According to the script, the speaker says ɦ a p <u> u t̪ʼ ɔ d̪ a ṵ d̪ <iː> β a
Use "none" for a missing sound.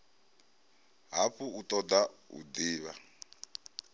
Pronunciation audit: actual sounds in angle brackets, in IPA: u, iː

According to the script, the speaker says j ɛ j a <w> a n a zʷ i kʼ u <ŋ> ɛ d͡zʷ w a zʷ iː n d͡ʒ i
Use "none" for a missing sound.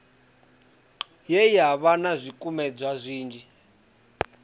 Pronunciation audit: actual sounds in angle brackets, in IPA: β, m

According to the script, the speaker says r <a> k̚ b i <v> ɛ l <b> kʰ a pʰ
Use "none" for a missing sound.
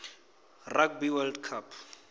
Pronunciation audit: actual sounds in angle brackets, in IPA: a, w, d

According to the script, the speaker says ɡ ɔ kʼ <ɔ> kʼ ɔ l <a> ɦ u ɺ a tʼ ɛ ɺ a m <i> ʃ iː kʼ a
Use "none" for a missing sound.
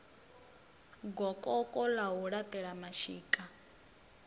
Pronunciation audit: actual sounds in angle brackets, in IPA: ɔ, a, a

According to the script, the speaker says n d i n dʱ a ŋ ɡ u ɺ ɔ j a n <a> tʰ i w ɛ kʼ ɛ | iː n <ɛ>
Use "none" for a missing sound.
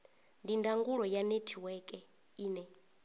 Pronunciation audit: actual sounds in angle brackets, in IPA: e, ɛ

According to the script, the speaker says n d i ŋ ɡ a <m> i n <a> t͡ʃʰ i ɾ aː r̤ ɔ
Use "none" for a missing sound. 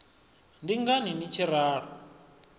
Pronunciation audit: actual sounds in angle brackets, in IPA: n, i

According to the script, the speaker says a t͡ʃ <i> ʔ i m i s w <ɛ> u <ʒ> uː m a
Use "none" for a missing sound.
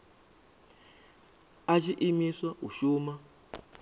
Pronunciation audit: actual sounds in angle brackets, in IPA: i, a, ʃ

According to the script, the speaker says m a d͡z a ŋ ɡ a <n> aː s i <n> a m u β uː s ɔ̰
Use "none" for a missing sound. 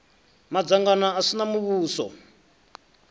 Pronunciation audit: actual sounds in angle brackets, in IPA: n, n

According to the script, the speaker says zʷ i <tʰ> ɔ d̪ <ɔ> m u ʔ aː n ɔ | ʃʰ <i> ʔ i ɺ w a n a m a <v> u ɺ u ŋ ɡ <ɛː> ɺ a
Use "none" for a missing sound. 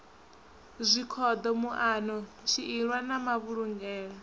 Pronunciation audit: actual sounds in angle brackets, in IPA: kʰ, ɔ, i, β, ɛː

